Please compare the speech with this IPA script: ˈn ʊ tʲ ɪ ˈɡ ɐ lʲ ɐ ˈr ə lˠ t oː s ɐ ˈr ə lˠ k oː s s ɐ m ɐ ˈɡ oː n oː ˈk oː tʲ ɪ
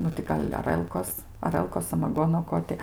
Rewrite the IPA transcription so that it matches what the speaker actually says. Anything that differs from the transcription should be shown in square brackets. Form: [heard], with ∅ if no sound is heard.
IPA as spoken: ˈn ʊ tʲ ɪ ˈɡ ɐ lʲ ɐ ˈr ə lˠ [k] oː s ɐ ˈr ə lˠ k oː s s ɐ m ɐ ˈɡ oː n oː ˈk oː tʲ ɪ